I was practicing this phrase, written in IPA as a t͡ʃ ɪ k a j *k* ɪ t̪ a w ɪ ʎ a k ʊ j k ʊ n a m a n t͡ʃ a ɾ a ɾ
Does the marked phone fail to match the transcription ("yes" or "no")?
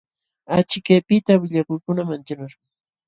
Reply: yes